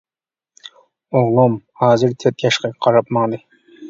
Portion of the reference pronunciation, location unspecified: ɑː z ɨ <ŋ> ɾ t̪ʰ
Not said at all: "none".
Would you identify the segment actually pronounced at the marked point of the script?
none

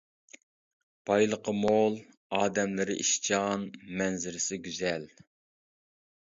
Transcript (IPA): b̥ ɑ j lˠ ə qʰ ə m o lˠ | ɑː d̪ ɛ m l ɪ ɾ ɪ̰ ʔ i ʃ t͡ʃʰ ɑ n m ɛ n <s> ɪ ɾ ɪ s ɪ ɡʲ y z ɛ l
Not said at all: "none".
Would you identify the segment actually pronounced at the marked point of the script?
z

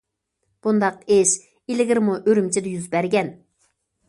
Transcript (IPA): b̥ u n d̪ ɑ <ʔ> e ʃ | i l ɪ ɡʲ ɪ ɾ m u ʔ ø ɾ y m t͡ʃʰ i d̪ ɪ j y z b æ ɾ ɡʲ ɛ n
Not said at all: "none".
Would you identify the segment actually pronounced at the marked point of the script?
q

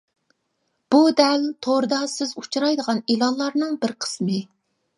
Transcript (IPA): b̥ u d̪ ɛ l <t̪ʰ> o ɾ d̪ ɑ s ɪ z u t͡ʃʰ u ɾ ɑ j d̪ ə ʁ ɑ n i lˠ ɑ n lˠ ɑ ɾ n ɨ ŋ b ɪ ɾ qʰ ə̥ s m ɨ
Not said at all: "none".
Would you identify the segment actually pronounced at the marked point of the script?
t̪ʰ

